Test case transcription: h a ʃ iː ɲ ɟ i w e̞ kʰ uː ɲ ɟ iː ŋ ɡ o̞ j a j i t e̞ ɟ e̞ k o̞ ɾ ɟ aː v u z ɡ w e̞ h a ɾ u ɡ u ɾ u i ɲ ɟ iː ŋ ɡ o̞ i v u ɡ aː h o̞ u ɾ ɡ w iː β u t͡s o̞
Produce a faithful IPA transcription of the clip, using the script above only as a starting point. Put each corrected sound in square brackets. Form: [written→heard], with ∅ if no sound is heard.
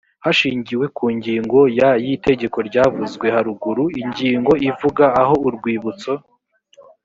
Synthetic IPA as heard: h a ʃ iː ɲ ɟ i w e̞ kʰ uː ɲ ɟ iː ŋ ɡ o̞ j a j i t e̞ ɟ e̞ k o̞ ɾ ɟ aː v u z ɡ w e̞ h a ɾ u ɡ u ɾ u i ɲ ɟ iː ŋ ɡ o̞ i v u ɡ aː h o̞ u ɾ ɡ w iː β u t͡s o̞

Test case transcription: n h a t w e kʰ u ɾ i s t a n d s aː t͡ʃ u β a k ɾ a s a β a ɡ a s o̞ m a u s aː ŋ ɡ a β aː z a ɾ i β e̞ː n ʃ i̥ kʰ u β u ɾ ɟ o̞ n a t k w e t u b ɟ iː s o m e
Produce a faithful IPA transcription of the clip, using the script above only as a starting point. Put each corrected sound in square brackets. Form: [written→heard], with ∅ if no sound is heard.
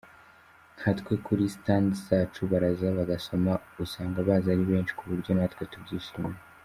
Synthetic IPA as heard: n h a t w e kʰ u ɾ i s t a n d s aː t͡ʃ u β a [k→∅] ɾ a [s→z] a β a ɡ a s o̞ m a u s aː ŋ ɡ a β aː z a ɾ i β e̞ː n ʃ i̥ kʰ u β u ɾ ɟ o̞ n a t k w e t u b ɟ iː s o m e

